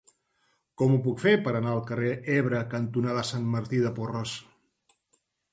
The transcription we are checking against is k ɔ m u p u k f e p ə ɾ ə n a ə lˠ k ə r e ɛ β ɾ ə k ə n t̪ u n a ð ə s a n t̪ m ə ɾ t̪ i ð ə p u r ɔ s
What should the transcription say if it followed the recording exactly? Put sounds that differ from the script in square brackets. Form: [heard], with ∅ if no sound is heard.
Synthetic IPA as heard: k ɔ m u p u k f e p ə ɾ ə n a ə lˠ k ə r e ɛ β ɾ ə k ə n t̪ u n a ð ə s a n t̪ m ə ɾ t̪ i ð ə p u r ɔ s